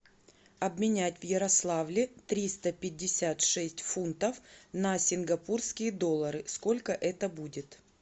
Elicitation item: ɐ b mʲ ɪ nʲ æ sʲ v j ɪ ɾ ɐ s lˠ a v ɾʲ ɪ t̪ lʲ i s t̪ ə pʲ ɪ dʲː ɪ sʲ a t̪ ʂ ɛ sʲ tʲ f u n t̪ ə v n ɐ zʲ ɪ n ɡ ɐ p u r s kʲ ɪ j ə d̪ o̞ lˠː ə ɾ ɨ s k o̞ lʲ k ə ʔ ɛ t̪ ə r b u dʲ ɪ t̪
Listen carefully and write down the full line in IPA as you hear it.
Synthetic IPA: ɐ b mʲ ɪ nʲ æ tʲ v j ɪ ɾ ɐ s lˠ a v lʲ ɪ t̪ ɾʲ i s t̪ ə pʲ ɪ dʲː ɪ sʲ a t̪ ʂ ɛ sʲ tʲ f u n t̪ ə f n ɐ sʲ ɪ n ɡ ɐ p u r s kʲ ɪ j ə d̪ o̞ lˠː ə ɾ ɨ s k o̞ lʲ k ə ʔ ɛ t̪ ə b u dʲ ɪ t̪